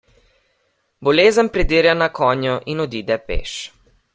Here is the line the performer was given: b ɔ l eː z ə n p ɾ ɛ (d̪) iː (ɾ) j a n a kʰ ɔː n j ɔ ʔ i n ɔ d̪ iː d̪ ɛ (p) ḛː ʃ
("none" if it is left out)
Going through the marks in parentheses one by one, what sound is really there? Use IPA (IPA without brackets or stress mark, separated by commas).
d̪, ɾ, p